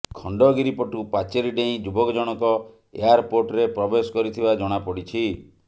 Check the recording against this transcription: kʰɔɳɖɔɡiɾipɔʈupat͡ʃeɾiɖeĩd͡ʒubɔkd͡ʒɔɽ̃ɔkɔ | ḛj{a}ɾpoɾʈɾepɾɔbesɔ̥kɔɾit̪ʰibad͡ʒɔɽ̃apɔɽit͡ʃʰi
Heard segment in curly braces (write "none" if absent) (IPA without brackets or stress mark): a